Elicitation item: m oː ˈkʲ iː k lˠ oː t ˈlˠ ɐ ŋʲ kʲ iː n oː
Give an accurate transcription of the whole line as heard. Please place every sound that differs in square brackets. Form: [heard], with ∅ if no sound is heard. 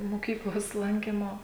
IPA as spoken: m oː ˈkʲ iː k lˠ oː [s] ˈlˠ ɐ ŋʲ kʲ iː [m] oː

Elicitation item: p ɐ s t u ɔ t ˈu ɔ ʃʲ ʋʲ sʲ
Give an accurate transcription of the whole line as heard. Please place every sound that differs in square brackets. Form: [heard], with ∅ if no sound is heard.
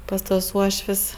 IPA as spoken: p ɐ s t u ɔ [s] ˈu ɔ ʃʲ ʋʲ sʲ

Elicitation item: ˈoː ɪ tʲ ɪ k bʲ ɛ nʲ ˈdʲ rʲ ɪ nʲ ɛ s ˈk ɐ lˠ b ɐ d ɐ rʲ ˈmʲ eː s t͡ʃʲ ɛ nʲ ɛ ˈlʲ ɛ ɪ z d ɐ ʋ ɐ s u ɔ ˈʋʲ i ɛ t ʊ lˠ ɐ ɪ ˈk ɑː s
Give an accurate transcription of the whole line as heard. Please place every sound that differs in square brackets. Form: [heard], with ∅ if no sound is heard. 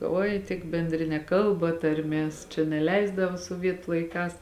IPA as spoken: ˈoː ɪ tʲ ɪ k bʲ ɛ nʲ ˈdʲ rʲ ɪ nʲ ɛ [∅] ˈk ɐ lˠ b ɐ [t] ɐ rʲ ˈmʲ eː s t͡ʃʲ ɛ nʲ ɛ ˈlʲ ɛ ɪ z d ɐ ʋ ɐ s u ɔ ˈʋʲ i ɛ t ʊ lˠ ɐ ɪ ˈk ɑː s

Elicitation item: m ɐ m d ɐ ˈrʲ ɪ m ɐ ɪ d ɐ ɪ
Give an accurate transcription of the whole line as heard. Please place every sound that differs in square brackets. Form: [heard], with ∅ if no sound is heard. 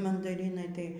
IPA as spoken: m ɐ [n] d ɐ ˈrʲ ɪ [n] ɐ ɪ [t] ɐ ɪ

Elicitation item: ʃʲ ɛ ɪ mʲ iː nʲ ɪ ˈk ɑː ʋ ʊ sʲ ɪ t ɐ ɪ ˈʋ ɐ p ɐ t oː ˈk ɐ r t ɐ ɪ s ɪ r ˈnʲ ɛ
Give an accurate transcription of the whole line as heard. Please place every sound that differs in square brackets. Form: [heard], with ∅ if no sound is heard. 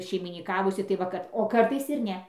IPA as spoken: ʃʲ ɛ ɪ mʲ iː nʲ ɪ ˈk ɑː ʋ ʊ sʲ ɪ t ɐ ɪ ˈʋ ɐ [k] ɐ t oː ˈk ɐ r t ɐ ɪ s ɪ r ˈnʲ ɛ

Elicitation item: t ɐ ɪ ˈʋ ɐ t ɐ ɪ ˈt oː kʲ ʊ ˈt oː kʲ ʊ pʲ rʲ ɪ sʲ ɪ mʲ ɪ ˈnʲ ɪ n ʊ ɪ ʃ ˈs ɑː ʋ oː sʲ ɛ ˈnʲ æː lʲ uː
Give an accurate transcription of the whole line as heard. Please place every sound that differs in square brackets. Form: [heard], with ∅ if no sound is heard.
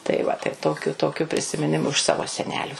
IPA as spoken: t ɐ ɪ ˈʋ ɐ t ɐ ɪ ˈt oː kʲ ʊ ˈt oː kʲ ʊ pʲ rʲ ɪ sʲ ɪ mʲ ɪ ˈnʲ ɪ [m] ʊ ɪ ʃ ˈs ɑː ʋ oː sʲ ɛ ˈnʲ æː lʲ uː

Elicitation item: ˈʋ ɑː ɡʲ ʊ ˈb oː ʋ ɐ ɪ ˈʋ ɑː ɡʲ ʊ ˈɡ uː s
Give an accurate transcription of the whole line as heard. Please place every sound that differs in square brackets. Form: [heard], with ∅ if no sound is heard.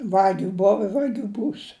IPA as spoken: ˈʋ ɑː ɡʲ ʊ ˈb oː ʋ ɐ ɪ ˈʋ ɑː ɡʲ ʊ [ˈb] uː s

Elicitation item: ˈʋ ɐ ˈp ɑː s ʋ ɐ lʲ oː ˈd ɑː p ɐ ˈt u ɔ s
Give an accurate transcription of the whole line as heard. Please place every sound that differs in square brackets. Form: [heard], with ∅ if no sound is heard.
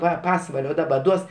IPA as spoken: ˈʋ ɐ ˈp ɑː s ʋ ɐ lʲ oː ˈd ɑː [b] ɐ [ˈd] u ɔ s

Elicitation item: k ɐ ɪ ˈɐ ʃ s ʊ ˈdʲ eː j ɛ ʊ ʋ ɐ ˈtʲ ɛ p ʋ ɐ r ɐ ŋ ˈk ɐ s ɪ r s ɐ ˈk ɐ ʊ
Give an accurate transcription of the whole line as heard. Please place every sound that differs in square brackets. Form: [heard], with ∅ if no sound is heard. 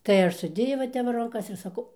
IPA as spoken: [t] ɐ ɪ ˈɐ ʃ s ʊ ˈdʲ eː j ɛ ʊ ʋ ɐ ˈtʲ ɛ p ʋ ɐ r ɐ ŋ ˈk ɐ s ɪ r s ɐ ˈk ɐ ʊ

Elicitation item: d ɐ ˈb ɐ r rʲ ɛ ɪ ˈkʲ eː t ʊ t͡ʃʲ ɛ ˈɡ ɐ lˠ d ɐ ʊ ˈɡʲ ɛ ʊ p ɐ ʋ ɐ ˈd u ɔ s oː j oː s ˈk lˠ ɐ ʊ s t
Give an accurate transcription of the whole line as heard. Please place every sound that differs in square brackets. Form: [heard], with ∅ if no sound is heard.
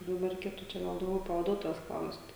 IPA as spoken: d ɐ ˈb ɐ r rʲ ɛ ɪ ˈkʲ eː t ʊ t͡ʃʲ ɛ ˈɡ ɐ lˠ d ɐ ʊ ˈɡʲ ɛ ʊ p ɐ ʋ ɐ ˈd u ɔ [t] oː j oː s ˈk lˠ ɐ ʊ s t

